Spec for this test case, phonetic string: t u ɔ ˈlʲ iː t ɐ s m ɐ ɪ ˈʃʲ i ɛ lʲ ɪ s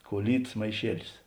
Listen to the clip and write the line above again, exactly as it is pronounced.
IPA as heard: k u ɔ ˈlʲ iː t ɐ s m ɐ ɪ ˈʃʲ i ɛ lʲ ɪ s

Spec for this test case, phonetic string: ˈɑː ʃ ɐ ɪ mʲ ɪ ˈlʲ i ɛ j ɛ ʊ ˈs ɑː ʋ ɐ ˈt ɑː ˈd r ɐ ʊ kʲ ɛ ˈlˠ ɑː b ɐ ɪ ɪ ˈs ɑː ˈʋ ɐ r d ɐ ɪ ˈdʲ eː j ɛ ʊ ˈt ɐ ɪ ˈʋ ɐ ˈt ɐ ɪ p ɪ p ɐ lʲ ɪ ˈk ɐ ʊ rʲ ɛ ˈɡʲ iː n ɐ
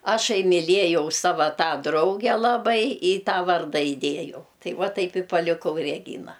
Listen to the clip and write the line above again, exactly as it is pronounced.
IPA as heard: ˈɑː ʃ ɐ ɪ mʲ ɪ ˈlʲ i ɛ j ɛ ʊ ˈs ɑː ʋ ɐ ˈt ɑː ˈd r ɐ ʊ ɡʲ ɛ ˈlˠ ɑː b ɐ ɪ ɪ ˈt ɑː ˈʋ ɐ r d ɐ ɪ ˈdʲ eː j ɛ ʊ ˈt ɐ ɪ ˈʋ ɐ ˈt ɐ ɪ p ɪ p ɐ lʲ ɪ ˈk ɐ ʊ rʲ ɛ ˈɡʲ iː n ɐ

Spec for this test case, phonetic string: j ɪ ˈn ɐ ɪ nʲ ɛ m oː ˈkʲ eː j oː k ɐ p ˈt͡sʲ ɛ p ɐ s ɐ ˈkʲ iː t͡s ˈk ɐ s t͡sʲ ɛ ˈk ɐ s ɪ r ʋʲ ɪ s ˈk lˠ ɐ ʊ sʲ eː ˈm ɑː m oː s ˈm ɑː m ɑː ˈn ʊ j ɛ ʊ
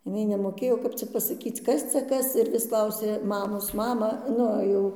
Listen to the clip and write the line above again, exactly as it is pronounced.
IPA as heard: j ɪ ˈn ɐ ɪ nʲ ɛ m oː ˈkʲ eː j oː k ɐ p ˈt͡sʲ ɛ p ɐ s ɐ ˈkʲ iː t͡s ˈk ɐ s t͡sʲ ɛ ˈk ɐ s ɪ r ʋʲ ɪ s ˈk lˠ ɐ ʊ sʲ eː ˈm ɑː m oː s ˈm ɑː m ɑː ˈn ʊ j ɛ ʊ

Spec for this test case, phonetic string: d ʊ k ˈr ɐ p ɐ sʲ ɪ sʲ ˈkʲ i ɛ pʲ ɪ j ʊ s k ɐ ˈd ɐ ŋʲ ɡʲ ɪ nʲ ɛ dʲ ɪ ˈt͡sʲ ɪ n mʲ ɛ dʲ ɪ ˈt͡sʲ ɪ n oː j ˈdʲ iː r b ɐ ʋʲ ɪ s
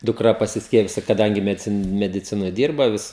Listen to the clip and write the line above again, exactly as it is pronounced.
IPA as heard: d ʊ k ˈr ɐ p ɐ sʲ ɪ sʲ ˈkʲ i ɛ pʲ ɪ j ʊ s k ɐ ˈd ɐ ŋʲ ɡʲ ɪ mʲ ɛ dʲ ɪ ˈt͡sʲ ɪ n mʲ ɛ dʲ ɪ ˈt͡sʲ ɪ n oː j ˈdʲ iː r b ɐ ʋʲ ɪ s

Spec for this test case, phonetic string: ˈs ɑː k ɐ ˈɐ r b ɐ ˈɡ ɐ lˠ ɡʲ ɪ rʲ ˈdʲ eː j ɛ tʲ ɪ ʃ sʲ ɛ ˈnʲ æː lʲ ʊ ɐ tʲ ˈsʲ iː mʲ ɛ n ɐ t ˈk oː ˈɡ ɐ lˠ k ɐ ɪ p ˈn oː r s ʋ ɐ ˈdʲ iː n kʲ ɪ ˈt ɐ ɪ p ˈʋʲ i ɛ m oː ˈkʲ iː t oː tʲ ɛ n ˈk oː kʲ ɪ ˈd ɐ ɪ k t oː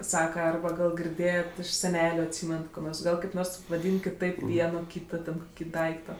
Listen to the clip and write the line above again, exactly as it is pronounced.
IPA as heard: ˈs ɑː k ɐ ˈɐ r b ɐ ˈɡ ɐ lˠ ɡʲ ɪ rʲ ˈdʲ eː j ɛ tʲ ɪ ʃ sʲ ɛ ˈnʲ æː lʲ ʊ ɐ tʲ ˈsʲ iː mʲ ɛ n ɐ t ˈk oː ˈɡ ɐ lˠ k ɐ ɪ p ˈn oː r s ʋ ɐ ˈdʲ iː n kʲ ɪ ˈt ɐ ɪ p ˈʋʲ i ɛ n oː ˈkʲ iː t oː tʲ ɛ n ˈk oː kʲ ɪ ˈd ɐ ɪ k t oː

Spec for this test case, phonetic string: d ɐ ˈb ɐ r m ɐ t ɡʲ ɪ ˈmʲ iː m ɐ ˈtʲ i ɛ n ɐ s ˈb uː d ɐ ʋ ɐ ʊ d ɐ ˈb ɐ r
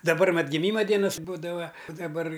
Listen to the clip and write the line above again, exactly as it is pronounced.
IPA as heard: d ɐ ˈb ɐ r m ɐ t ɡʲ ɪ ˈmʲ iː m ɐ ˈdʲ i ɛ n ɐ s ˈb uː d ɐ ʋ ɐ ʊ d ɐ ˈb ɐ r

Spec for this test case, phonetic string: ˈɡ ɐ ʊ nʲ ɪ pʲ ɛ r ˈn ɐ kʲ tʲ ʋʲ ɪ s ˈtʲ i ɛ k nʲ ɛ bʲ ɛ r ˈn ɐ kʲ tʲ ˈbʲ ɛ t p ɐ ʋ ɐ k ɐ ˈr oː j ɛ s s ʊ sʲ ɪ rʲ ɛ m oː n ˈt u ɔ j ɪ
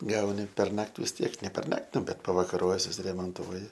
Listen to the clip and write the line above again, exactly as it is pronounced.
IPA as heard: ˈɡ ɐ ʊ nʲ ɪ pʲ ɛ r ˈn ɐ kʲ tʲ ʋʲ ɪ s ˈtʲ i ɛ k nʲ ɛ pʲ ɛ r ˈn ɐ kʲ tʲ ˈbʲ ɛ t p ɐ ʋ ɐ k ɐ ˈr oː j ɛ s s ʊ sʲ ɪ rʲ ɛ m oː n ˈt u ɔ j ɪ

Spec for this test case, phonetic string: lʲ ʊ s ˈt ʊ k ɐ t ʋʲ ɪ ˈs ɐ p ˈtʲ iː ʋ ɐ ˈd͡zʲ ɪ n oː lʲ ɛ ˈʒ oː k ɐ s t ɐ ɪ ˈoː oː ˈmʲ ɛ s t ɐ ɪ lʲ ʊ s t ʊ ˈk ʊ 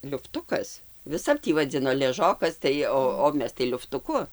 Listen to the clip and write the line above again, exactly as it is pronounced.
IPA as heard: lʲ ʊ f ˈt ʊ k ɐ s ʋʲ ɪ ˈs ɐ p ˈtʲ iː ʋ ɐ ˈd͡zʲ ɪ n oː lʲ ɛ ˈʒ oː k ɐ s t ɐ ɪ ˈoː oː ˈmʲ ɛ s t ɐ ɪ lʲ ʊ f t ʊ ˈk ʊ

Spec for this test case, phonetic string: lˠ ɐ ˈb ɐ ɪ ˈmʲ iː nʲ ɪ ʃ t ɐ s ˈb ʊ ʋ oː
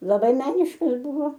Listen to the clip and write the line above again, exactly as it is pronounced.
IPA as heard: lˠ ɐ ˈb ɐ ɪ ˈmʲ æː nʲ ɪ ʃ k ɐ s ˈb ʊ ʋ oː

